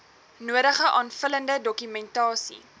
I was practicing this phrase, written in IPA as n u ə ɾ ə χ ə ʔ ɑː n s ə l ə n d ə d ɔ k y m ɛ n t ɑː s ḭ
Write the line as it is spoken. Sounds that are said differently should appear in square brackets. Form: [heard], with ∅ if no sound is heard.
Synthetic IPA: n u ə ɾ ə χ ə ʔ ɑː n [f] ə l ə n d ə d ɔ k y m ɛ n t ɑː s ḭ